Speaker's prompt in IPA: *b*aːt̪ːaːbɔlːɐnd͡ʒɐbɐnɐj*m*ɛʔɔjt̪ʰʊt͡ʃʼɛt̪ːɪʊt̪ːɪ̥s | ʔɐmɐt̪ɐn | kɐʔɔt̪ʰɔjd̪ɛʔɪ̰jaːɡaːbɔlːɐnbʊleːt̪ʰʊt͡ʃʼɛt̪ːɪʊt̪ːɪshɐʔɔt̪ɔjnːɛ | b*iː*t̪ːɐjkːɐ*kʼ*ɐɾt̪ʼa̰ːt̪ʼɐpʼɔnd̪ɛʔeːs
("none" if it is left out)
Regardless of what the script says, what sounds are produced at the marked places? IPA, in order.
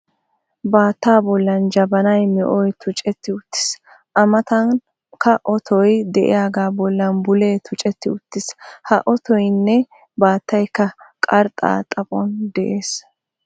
b, m, aː, kʼ

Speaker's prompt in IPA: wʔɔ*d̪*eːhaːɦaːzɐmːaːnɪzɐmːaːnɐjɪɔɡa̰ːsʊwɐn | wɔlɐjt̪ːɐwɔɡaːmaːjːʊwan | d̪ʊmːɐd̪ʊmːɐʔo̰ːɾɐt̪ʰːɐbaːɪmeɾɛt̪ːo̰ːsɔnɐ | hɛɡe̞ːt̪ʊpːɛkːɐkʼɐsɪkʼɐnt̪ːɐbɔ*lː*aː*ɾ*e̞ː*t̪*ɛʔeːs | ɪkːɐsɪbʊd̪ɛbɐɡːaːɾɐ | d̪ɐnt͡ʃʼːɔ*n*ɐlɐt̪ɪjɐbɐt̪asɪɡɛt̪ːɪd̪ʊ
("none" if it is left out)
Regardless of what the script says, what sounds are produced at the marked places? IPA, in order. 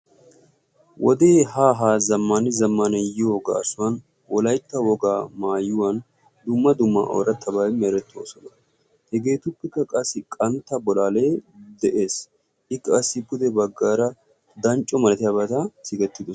d̪, l, l, d̪, m

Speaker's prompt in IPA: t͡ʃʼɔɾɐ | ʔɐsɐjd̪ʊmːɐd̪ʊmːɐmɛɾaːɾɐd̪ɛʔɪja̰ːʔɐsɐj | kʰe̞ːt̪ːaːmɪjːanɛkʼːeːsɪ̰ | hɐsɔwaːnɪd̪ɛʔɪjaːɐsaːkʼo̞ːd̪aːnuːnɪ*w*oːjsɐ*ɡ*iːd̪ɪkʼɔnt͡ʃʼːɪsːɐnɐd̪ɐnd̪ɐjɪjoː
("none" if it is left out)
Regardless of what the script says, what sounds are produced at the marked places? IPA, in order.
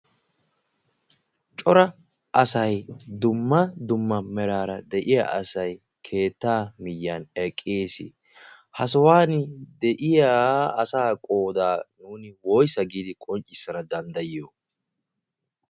w, ɡ

